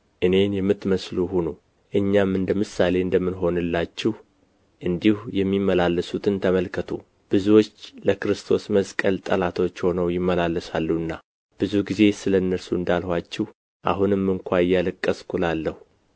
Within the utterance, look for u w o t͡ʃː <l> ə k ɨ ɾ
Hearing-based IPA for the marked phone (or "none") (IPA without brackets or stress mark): l